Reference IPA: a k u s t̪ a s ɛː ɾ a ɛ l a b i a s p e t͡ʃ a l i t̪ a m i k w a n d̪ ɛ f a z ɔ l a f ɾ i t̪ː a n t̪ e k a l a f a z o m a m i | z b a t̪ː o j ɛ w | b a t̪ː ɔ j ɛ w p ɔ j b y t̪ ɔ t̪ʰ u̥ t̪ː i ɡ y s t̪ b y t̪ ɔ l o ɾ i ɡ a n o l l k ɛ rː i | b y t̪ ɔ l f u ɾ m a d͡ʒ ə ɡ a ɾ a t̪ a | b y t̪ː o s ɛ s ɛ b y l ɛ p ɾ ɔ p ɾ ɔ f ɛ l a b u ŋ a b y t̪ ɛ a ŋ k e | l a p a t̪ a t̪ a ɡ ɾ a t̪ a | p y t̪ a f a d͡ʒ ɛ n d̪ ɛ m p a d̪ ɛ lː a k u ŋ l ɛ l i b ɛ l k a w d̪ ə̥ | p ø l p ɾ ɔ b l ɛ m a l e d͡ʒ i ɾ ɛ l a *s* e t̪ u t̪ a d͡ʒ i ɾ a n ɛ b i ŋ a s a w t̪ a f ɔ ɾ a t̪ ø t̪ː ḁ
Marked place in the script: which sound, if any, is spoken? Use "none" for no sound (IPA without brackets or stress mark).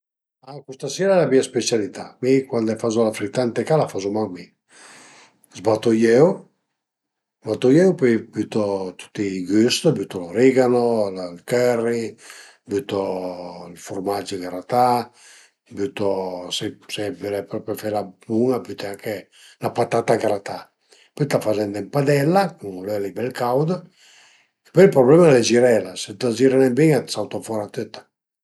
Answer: s